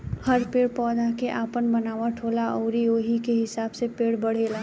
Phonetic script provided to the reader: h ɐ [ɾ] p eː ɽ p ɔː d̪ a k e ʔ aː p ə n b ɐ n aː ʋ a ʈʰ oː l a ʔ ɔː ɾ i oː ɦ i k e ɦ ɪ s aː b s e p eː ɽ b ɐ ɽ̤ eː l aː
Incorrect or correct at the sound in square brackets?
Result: correct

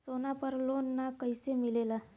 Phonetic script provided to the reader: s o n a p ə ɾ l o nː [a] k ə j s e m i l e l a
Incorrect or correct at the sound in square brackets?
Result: correct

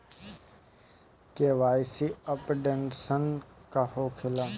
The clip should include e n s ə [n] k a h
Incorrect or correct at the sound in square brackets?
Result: correct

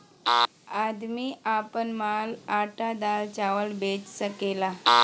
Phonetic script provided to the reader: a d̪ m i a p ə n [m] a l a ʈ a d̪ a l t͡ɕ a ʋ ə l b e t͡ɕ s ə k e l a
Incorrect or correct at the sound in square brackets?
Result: correct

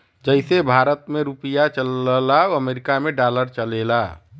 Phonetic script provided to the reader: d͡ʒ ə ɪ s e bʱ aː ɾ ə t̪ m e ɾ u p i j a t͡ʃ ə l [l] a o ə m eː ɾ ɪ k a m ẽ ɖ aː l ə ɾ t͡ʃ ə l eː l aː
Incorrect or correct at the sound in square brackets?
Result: correct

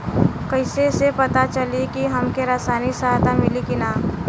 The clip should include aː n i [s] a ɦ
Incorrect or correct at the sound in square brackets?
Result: correct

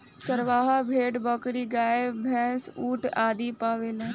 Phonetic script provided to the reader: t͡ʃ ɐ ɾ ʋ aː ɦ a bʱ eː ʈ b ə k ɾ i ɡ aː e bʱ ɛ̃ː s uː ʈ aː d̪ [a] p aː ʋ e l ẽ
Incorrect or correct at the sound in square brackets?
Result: incorrect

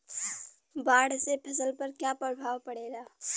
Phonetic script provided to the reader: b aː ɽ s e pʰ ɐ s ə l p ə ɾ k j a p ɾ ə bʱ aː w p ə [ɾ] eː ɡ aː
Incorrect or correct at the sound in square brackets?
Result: incorrect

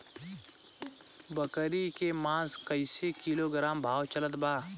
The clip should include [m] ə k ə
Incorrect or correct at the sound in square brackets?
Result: incorrect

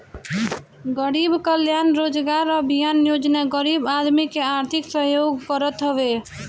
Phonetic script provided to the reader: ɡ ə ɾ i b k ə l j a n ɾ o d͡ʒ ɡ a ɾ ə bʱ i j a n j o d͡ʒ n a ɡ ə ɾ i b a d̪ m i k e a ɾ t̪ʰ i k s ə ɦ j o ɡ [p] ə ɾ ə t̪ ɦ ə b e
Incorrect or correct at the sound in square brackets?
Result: incorrect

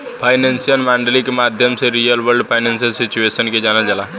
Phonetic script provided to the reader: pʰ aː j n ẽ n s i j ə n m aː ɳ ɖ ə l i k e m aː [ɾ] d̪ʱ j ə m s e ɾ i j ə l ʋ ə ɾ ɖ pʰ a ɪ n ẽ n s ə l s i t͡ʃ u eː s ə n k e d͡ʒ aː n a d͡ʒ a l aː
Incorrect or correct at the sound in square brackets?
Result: incorrect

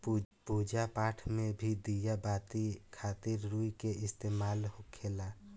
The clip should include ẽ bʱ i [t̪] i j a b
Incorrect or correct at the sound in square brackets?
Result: incorrect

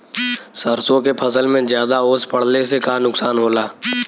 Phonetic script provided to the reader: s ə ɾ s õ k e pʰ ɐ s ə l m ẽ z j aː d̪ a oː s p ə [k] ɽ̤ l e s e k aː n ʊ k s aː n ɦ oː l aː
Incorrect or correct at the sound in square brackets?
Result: incorrect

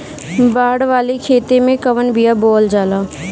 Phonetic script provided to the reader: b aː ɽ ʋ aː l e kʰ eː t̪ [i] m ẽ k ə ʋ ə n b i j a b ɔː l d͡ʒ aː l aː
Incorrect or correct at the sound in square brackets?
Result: incorrect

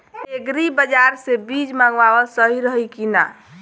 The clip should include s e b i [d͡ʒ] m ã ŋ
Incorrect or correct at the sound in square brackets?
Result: correct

